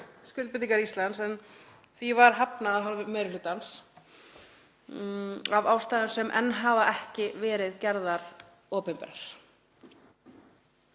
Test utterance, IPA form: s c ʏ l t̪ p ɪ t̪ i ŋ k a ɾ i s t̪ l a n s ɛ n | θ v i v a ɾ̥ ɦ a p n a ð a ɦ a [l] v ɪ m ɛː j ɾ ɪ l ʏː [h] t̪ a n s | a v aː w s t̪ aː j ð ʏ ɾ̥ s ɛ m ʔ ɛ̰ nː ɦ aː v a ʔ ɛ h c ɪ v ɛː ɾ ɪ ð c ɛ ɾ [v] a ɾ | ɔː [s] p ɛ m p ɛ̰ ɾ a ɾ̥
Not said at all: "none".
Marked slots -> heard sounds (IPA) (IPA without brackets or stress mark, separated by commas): l, none, ð, none